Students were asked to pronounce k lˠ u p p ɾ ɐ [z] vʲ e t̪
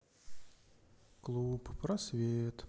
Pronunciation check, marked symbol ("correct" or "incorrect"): incorrect